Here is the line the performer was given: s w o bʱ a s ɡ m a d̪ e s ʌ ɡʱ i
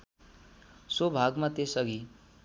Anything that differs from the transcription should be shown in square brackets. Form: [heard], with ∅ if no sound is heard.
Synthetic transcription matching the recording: s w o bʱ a [∅] ɡ m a [t̪] e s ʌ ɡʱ i